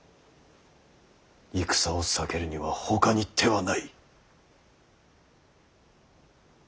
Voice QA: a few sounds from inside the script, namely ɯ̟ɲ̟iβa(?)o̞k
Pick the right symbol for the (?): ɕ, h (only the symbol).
h